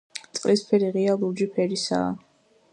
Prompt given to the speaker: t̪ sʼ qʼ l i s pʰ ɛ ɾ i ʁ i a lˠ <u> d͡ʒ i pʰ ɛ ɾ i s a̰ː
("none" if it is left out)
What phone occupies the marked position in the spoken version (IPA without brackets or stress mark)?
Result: u